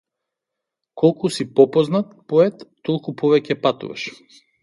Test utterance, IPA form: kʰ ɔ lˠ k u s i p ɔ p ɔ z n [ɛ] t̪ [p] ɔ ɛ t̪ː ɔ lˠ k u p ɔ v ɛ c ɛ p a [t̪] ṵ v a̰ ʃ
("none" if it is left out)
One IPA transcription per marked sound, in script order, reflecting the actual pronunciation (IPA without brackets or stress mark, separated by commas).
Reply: a, p, t̪